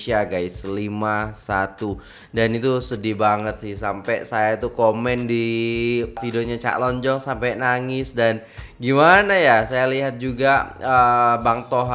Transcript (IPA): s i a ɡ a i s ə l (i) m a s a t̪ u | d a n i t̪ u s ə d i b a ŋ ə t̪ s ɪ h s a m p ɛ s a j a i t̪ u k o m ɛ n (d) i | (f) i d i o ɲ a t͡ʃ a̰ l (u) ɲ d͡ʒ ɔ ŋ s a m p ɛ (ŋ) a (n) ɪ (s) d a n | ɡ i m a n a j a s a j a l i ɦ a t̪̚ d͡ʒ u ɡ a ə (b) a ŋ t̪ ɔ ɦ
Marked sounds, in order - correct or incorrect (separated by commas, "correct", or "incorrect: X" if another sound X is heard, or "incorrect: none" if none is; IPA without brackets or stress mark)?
correct, correct, correct, incorrect: ɔ, incorrect: n, incorrect: ŋ, correct, correct